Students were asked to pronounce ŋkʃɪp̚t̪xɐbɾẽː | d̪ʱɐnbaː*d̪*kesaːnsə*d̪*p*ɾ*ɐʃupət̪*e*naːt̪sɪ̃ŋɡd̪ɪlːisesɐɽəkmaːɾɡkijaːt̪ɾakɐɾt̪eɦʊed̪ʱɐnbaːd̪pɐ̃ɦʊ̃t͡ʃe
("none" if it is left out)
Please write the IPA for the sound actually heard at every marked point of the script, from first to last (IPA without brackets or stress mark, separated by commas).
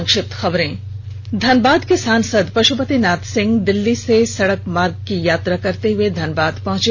d̪, d̪, ɾ, i